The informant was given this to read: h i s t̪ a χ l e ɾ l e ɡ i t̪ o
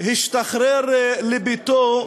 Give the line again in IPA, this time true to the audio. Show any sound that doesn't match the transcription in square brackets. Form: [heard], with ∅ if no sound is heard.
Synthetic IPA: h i [ʃ] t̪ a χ [ɾ] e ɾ l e [b] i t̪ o